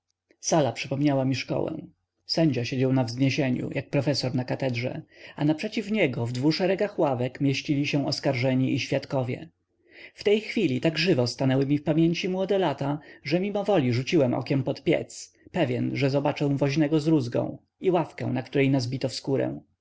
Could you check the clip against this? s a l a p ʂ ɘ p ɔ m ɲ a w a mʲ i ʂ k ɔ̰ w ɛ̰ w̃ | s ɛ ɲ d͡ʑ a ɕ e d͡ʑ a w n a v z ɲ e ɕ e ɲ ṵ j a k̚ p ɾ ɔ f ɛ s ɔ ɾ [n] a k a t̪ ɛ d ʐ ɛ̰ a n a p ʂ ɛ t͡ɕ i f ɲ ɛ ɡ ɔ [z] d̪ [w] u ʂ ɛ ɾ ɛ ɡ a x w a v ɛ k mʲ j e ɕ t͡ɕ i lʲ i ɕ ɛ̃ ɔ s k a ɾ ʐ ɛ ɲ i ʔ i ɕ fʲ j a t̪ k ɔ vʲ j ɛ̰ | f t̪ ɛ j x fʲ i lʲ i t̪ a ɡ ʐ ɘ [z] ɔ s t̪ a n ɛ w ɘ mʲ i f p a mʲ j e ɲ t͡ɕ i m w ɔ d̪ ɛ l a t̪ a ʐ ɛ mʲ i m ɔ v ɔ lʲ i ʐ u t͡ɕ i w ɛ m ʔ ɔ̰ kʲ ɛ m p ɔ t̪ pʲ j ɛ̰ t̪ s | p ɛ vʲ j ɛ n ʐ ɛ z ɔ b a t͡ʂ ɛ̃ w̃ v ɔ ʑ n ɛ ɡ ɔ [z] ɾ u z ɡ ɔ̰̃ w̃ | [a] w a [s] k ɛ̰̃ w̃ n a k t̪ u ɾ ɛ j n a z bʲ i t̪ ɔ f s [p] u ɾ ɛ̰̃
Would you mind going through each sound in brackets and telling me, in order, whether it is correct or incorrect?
correct, incorrect: v, incorrect: v, incorrect: v, correct, incorrect: i, incorrect: f, incorrect: k

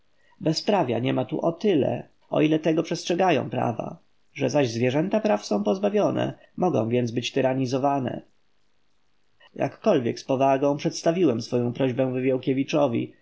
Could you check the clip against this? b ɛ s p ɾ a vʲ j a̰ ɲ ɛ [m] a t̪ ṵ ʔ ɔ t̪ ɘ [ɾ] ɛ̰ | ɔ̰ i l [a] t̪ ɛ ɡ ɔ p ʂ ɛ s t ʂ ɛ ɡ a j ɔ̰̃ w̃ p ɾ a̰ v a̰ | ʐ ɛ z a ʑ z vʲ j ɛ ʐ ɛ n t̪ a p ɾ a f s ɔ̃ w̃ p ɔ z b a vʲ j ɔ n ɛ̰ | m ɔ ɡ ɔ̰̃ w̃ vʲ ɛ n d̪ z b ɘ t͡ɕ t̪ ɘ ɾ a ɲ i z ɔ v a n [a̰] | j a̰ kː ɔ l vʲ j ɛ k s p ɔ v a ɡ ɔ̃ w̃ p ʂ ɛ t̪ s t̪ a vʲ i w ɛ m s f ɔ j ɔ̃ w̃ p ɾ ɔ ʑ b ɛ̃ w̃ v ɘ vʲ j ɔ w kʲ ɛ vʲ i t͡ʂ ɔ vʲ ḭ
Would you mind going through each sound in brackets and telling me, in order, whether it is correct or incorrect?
correct, incorrect: l, incorrect: ɛ, incorrect: ɛ̰

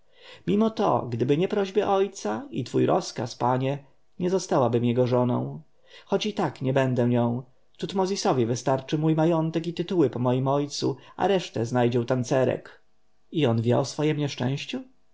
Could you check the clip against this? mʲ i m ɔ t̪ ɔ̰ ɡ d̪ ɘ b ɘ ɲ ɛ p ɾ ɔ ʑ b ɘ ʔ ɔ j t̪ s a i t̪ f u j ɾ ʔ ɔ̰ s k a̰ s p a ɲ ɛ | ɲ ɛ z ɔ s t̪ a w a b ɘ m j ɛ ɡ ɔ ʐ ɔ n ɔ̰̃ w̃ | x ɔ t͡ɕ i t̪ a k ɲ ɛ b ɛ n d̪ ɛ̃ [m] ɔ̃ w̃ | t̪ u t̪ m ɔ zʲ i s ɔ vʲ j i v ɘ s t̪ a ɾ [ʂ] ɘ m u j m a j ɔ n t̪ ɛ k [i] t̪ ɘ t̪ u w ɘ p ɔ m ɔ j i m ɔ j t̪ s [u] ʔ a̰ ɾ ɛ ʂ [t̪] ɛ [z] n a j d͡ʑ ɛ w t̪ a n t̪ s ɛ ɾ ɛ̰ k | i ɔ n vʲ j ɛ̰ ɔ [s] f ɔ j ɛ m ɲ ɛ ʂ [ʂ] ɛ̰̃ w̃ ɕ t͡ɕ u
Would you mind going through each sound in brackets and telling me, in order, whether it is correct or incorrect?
incorrect: ɲ, incorrect: t͡ʂ, correct, correct, correct, correct, correct, incorrect: t͡ʂ

